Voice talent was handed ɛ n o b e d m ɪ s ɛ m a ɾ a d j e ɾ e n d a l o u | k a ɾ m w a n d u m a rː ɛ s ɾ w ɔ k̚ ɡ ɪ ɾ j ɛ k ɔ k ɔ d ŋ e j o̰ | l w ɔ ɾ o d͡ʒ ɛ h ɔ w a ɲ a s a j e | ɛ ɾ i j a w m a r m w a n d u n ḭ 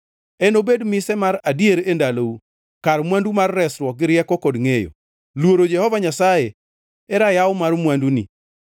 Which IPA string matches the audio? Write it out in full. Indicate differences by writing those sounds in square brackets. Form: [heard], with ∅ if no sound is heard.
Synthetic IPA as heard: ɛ n o b e d m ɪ s ɛ m a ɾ a d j e ɾ e n d a l o u | k a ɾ m w a n d u m a rː ɛ s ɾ w ɔ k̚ ɡ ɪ ɾ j ɛ k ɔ k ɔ d ŋ e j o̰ | l w [o] ɾ o d͡ʒ ɛ h ɔ [v] a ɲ a s a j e | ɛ ɾ [a] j a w m a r m w a n d u n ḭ